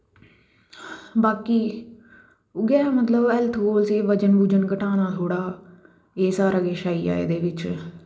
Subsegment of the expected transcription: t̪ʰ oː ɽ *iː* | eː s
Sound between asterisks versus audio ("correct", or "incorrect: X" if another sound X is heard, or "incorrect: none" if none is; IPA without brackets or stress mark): incorrect: aː